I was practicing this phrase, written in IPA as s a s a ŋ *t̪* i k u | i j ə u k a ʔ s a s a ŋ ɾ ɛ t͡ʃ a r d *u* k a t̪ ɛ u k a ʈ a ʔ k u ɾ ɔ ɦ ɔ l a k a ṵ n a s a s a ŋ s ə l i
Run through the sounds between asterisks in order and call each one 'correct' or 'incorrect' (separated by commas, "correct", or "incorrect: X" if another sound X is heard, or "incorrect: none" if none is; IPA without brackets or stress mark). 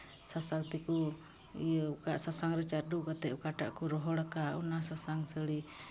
correct, correct